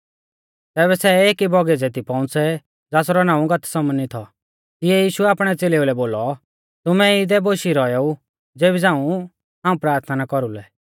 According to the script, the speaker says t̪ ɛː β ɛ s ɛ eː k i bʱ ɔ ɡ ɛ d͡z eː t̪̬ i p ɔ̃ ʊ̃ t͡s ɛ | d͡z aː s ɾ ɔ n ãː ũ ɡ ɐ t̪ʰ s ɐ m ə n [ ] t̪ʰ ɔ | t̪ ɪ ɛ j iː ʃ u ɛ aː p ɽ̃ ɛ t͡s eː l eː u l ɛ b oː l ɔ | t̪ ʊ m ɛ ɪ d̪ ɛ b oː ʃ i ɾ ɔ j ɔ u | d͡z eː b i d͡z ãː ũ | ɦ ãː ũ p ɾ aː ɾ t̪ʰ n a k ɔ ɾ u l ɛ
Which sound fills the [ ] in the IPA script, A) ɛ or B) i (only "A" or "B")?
B